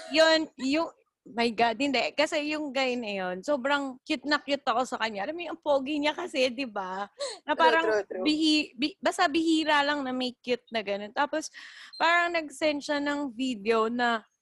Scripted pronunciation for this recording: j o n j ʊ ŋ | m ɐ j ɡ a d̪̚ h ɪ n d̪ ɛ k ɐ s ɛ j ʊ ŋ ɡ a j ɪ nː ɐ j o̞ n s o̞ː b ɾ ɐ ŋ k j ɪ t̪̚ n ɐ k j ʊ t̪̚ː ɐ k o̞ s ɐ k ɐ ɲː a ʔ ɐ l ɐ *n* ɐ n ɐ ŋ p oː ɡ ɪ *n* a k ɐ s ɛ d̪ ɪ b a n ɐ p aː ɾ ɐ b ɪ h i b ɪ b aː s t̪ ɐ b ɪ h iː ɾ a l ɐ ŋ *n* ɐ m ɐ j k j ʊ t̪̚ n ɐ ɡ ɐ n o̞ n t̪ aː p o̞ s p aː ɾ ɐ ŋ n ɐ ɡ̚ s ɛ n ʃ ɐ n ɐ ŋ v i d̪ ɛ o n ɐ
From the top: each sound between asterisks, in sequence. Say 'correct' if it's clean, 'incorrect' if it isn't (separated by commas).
incorrect, incorrect, correct